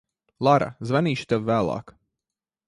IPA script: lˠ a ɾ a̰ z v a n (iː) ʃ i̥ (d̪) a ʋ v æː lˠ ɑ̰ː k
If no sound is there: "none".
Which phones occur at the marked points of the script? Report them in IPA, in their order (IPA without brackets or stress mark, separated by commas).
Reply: iː, t̪